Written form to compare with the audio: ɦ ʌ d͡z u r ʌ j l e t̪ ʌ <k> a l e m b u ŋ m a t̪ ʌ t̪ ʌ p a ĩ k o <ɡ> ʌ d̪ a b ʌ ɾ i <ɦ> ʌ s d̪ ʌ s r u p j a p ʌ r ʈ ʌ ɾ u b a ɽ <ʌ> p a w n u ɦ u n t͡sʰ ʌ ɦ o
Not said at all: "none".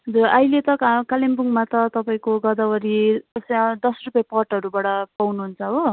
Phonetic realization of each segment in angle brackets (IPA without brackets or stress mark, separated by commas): k, ɡ, none, ʌ